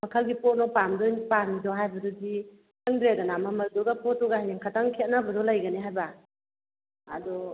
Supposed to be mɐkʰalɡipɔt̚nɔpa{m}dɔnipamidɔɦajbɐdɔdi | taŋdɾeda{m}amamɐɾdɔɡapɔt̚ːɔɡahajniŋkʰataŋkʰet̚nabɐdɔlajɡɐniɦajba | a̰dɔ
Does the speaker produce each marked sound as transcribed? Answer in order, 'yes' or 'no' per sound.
yes, no

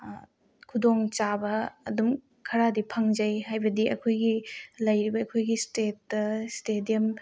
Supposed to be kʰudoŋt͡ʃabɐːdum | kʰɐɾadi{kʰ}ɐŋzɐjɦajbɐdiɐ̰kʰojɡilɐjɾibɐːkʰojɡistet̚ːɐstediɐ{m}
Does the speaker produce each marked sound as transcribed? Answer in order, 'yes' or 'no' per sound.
no, yes

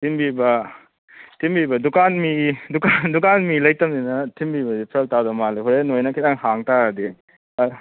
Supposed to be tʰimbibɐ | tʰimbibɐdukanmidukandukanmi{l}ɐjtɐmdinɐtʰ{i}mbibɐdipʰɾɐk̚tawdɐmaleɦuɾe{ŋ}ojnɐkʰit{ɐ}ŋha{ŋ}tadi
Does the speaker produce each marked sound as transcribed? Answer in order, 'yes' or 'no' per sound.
yes, yes, no, no, yes

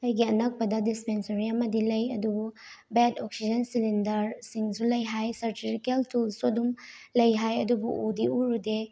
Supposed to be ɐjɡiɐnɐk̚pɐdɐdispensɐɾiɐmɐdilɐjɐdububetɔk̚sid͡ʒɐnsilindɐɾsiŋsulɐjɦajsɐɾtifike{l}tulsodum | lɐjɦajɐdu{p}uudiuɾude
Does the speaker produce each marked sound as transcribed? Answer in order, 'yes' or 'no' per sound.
yes, no

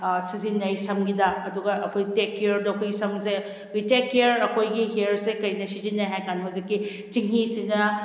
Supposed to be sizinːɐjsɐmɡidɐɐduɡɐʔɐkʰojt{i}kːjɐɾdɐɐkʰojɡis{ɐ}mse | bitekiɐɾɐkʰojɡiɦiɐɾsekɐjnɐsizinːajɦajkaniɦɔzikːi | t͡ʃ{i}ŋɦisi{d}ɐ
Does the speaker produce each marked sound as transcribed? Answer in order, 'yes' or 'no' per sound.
no, yes, yes, no

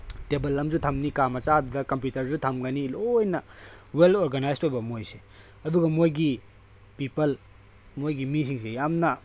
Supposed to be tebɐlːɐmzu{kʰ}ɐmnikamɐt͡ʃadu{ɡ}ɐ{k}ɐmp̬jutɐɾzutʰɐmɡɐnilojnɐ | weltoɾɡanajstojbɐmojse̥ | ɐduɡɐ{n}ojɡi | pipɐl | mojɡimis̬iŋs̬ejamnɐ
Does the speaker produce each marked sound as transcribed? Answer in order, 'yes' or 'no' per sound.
no, no, yes, no

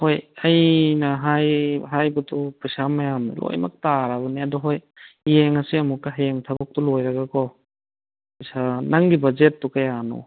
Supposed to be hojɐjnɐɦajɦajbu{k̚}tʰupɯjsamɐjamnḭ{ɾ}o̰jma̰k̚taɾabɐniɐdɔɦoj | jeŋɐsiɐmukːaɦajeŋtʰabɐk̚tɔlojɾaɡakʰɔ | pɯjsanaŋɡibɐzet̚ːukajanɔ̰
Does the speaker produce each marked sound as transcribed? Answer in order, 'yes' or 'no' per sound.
no, no

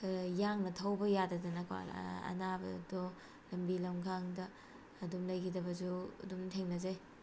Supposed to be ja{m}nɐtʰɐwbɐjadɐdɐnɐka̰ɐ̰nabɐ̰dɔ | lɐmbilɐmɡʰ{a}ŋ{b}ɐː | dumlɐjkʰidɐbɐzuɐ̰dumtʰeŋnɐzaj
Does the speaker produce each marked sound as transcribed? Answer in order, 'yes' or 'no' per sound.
no, yes, no

